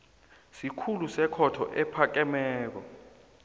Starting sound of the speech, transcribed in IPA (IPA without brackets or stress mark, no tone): s